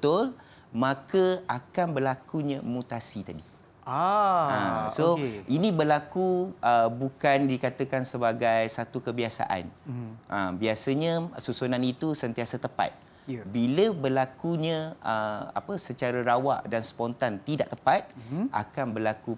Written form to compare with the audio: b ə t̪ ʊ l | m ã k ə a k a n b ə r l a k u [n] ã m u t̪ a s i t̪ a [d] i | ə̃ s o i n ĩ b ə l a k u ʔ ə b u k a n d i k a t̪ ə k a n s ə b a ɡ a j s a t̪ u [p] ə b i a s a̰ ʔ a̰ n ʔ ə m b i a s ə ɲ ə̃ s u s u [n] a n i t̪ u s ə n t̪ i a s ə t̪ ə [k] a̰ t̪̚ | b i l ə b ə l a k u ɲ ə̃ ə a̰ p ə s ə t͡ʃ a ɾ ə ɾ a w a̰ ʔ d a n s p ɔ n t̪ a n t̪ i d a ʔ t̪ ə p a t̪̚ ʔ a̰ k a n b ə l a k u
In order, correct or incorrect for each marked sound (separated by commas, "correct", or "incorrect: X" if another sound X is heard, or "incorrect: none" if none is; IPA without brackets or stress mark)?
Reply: incorrect: ɲ, correct, incorrect: k, correct, incorrect: p